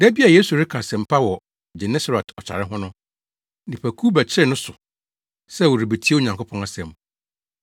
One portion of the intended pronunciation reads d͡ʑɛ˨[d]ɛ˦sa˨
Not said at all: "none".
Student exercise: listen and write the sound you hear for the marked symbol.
n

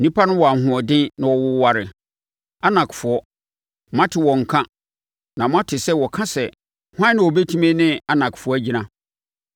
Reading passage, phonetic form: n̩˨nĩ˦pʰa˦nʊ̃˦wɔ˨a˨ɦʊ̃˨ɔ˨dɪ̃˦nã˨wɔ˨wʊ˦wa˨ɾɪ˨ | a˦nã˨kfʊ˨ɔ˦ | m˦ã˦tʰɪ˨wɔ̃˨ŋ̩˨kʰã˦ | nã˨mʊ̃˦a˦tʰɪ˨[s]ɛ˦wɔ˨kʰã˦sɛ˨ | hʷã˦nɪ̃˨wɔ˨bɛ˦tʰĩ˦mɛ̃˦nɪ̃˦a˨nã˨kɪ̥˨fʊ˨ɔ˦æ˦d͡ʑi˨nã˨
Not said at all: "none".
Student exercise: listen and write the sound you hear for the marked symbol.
s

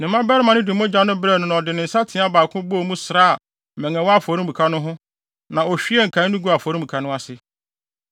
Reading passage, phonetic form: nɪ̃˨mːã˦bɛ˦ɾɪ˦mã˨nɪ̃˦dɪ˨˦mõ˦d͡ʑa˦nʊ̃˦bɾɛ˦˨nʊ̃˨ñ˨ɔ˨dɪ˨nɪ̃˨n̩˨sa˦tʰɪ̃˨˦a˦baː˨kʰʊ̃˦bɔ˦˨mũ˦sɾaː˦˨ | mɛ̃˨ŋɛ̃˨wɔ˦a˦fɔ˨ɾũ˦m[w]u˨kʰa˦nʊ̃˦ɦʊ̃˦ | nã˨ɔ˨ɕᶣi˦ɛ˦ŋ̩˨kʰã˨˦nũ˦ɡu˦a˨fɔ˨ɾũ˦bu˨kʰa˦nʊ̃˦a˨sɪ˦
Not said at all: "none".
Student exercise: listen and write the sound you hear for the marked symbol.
b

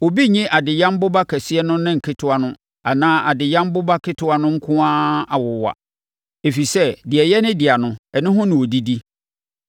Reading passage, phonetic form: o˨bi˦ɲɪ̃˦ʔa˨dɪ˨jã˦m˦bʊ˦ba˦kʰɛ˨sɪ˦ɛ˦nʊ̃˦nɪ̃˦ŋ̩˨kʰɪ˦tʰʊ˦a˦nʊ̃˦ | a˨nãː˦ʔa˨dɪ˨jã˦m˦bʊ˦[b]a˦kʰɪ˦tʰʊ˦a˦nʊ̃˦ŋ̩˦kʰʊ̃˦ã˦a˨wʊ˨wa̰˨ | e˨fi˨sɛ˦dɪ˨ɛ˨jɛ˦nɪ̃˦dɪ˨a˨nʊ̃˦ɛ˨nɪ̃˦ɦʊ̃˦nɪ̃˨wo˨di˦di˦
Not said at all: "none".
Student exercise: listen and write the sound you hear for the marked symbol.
b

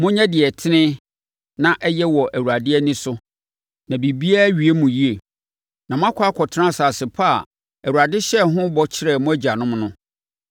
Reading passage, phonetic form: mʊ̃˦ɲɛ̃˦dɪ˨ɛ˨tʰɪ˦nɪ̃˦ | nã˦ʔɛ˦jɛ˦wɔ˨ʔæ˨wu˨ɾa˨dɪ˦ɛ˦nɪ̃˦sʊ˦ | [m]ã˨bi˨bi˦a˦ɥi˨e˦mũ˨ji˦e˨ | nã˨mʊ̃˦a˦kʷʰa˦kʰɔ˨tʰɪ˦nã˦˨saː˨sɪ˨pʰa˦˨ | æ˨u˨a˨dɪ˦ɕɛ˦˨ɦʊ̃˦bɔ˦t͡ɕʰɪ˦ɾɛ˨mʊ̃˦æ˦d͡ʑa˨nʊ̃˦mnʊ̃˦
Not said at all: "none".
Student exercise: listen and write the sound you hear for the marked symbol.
n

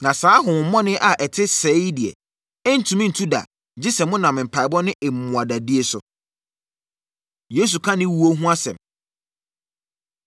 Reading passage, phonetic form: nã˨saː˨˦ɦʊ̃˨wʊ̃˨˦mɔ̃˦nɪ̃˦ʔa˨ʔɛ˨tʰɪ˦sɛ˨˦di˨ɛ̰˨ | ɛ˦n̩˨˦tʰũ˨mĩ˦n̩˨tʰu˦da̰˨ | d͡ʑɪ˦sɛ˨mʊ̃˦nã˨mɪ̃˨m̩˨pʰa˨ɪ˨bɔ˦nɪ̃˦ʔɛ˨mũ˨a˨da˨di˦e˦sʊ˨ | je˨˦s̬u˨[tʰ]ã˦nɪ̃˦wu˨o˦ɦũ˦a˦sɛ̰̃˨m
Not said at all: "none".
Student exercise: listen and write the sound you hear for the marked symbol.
kʰ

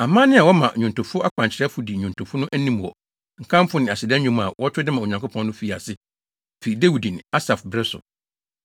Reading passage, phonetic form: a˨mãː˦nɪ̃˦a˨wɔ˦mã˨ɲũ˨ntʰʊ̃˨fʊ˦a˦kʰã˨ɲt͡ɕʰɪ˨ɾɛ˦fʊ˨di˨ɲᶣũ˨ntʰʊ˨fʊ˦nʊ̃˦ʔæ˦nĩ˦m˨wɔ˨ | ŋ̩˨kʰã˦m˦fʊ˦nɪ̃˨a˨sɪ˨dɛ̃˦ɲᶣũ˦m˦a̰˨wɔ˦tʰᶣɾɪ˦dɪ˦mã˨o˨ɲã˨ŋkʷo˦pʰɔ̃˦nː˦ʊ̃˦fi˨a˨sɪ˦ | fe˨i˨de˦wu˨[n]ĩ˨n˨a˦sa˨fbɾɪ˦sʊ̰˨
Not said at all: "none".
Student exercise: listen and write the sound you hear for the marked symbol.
d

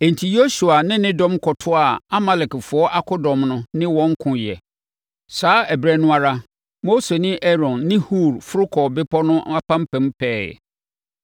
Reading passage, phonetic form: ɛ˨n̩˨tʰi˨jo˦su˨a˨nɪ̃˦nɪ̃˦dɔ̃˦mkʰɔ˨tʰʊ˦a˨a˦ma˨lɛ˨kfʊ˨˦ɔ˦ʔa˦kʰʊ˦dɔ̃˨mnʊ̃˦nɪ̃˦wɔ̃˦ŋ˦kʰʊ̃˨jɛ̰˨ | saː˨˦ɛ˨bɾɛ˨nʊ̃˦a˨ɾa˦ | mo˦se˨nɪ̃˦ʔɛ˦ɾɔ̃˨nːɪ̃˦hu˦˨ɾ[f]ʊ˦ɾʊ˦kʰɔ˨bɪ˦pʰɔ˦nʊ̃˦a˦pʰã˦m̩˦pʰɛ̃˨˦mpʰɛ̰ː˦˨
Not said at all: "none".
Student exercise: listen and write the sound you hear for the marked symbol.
f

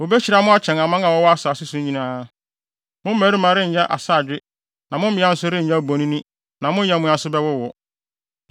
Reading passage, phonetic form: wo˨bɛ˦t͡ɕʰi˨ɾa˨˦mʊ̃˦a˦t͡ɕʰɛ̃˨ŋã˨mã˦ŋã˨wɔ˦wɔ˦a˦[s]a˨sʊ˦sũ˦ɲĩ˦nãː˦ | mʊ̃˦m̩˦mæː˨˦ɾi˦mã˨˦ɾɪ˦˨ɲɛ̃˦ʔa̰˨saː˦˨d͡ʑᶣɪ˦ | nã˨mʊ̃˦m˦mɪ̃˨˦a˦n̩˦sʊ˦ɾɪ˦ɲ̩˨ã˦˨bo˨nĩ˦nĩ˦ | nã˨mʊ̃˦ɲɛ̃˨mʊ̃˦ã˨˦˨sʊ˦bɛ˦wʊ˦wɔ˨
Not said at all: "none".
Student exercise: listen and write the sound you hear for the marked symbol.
s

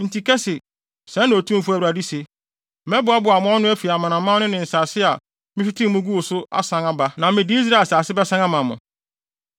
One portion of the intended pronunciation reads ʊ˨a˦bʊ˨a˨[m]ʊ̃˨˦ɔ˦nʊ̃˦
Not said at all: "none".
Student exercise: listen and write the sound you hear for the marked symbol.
m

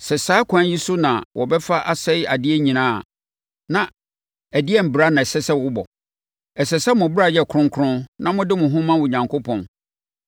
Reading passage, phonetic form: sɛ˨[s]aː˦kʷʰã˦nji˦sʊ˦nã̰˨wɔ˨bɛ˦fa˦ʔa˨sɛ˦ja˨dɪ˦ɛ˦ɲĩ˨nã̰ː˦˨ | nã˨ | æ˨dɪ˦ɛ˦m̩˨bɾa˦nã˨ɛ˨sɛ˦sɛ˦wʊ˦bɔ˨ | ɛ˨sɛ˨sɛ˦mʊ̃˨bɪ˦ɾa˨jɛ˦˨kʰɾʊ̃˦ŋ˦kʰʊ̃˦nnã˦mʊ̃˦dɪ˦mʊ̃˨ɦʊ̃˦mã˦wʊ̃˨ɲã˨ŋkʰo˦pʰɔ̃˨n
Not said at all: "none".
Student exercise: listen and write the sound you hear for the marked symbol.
s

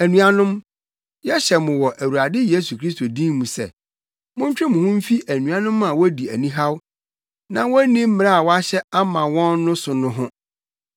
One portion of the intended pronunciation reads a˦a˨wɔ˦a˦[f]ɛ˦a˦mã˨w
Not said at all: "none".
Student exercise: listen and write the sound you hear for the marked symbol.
ɕ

